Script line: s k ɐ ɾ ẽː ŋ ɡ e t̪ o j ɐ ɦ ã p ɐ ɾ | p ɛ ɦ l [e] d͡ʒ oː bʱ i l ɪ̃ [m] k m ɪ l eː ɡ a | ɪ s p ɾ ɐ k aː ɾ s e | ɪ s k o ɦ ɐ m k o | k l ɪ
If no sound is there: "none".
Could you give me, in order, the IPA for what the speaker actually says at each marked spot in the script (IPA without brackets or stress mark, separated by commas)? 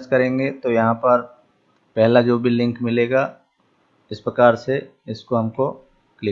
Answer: a, ŋ